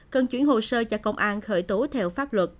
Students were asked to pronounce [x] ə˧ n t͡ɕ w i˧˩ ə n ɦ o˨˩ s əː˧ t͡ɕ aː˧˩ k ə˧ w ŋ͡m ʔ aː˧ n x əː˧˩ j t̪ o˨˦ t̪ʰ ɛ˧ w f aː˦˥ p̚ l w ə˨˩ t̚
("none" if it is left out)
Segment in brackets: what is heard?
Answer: k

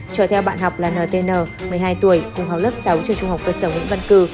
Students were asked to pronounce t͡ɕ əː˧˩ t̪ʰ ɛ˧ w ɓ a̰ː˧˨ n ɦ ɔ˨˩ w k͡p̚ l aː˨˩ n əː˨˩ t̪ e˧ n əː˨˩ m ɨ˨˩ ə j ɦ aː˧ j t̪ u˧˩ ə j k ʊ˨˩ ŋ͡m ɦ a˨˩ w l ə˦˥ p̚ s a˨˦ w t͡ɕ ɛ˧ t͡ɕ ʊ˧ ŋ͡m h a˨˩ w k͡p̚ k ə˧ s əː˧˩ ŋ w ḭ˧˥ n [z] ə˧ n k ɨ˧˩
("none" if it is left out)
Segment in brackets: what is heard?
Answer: v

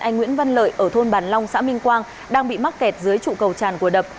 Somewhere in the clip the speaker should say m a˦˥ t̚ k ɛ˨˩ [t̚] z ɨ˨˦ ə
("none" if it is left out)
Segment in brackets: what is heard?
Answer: t̚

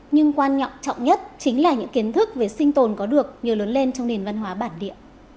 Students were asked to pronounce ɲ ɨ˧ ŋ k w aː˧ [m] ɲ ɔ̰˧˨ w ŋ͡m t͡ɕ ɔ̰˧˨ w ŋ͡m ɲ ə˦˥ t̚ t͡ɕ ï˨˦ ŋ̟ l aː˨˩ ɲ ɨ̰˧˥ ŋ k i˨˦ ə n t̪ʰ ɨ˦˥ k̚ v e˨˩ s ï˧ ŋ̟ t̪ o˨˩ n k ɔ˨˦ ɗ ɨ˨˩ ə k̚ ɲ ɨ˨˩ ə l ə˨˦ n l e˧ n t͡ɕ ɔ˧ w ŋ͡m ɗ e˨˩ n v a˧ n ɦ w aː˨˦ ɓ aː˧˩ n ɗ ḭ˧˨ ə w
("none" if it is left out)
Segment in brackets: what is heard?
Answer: n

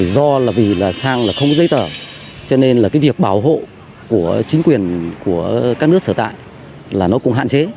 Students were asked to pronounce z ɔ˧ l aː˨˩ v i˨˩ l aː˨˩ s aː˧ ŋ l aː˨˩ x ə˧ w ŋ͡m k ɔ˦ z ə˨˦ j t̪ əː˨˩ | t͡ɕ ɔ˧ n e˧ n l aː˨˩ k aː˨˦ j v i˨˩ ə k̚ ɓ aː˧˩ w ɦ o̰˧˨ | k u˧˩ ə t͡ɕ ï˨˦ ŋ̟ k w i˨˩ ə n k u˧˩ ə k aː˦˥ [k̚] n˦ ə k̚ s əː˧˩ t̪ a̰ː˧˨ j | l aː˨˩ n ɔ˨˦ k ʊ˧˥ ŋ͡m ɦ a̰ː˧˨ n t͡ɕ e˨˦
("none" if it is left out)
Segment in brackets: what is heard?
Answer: k̚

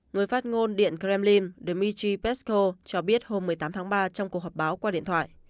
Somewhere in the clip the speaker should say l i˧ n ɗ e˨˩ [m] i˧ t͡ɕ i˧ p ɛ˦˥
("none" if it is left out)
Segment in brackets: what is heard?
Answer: m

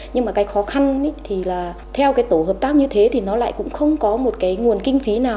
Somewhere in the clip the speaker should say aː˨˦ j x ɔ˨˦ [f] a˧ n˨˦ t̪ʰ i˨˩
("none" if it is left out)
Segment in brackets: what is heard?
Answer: x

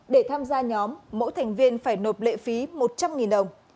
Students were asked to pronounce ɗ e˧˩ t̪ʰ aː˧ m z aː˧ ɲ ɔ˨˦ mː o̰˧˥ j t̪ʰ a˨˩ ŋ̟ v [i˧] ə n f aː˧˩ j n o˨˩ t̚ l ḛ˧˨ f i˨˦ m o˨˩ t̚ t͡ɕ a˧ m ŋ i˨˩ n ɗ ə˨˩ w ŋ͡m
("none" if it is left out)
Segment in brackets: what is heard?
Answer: i˧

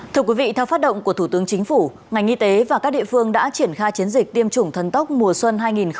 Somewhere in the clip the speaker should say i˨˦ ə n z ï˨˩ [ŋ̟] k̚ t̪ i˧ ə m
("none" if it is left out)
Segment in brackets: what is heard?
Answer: none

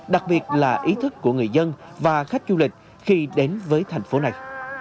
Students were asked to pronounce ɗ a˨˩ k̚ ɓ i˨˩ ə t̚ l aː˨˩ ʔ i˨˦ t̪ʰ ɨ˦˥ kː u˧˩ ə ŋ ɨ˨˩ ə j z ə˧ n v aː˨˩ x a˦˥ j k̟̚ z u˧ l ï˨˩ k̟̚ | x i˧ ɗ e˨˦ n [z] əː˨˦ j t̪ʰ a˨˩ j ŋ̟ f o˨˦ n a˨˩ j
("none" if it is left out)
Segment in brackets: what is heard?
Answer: v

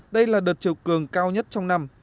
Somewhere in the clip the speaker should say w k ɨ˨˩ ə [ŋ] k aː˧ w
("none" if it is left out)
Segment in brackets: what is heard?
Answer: ŋ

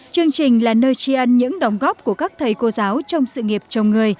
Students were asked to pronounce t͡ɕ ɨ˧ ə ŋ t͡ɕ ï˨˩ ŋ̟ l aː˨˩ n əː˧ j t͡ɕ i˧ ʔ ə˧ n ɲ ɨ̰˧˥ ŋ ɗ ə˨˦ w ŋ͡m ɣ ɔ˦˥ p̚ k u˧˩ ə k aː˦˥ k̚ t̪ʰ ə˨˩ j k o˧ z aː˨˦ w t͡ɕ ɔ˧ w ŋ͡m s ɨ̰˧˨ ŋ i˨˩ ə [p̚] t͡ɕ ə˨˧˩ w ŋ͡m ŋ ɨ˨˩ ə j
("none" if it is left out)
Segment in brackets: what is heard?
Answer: p̚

